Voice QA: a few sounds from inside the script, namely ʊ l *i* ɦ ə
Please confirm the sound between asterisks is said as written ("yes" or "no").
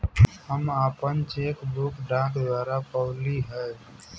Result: yes